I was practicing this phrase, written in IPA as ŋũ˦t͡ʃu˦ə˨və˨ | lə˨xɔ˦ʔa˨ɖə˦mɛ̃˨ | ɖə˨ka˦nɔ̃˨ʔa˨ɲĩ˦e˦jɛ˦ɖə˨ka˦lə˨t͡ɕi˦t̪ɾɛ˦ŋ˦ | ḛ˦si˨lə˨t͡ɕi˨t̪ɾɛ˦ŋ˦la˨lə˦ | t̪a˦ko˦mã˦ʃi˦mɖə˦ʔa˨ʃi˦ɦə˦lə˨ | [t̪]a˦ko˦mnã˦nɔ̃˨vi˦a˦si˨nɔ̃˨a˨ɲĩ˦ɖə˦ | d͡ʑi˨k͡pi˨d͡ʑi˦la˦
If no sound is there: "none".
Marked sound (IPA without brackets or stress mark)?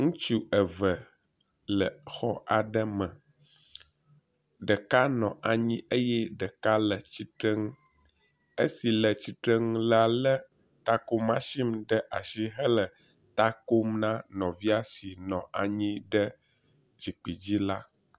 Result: t̪